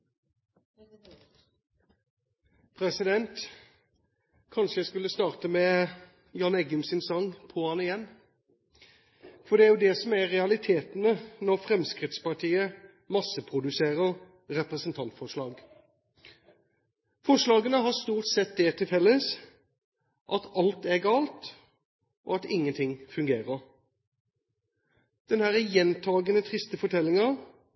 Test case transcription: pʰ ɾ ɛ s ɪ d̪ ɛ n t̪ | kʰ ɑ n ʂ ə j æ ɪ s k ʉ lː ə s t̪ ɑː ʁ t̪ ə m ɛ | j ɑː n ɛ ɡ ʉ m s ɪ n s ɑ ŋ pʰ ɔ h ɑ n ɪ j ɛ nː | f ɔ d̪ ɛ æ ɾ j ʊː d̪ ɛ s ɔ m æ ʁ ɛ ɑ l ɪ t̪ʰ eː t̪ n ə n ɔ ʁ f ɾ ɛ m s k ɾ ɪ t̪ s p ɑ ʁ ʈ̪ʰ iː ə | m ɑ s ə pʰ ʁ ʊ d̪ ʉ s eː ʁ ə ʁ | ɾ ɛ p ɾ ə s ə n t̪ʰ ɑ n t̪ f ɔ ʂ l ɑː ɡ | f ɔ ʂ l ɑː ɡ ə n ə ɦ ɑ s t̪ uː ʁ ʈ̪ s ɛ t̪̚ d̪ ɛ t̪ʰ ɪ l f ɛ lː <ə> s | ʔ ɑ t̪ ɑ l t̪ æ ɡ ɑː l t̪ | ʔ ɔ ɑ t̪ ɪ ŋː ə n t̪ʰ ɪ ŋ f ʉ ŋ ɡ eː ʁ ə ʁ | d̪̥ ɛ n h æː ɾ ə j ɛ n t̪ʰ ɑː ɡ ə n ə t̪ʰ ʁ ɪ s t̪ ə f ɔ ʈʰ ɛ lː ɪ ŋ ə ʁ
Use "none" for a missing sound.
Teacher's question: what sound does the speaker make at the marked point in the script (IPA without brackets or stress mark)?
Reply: ə